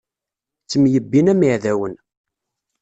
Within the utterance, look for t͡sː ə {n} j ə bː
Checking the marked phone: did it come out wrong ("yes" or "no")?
yes